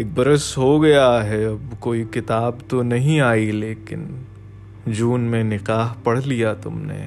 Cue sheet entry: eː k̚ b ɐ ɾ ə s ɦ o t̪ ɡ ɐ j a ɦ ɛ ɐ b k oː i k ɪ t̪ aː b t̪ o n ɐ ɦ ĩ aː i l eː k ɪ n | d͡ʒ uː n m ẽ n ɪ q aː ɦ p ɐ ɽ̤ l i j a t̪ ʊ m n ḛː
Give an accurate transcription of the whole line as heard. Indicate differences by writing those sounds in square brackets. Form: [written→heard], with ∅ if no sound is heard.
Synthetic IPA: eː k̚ b ɐ ɾ ə s ɦ o [t̪→∅] ɡ ɐ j a ɦ ɛ ɐ b k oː i k ɪ t̪ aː b t̪ o n ɐ ɦ ĩ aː i l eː k ɪ n | d͡ʒ uː n m ẽ n ɪ q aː ɦ p ɐ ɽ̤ l i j a t̪ ʊ m n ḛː